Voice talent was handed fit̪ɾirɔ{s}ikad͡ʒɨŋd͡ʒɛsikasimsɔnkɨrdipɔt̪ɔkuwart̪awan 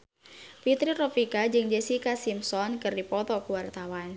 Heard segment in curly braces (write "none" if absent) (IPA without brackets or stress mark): f